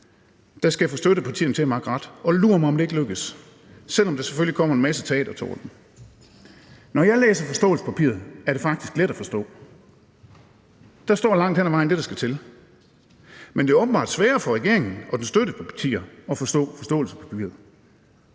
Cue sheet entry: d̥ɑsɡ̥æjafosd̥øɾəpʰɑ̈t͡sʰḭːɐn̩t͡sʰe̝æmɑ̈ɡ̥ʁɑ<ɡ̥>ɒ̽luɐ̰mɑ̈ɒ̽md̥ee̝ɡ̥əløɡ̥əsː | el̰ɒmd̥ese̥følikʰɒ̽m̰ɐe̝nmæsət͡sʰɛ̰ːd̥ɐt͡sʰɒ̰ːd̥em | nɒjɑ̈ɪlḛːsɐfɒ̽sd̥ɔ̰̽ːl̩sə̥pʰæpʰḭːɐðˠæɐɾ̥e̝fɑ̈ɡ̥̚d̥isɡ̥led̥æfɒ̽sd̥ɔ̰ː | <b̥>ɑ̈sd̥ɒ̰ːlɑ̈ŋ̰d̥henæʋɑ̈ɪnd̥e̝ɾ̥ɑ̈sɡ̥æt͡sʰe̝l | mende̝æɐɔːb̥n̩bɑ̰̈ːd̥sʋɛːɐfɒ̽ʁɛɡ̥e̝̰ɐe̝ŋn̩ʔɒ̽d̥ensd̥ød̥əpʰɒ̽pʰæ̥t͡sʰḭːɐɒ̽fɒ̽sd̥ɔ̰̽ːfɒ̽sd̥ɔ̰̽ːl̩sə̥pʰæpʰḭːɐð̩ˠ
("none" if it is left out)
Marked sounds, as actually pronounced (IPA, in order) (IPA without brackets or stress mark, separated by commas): d̥, d̥